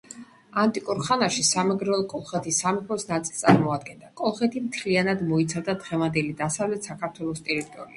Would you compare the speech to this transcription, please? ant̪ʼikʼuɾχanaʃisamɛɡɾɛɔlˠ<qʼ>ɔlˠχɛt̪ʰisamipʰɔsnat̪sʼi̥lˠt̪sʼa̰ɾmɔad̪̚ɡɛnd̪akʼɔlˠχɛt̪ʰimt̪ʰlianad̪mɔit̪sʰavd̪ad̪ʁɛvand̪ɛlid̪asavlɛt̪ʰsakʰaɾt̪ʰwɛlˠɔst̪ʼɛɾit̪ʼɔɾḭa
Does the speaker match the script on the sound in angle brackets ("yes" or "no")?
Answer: no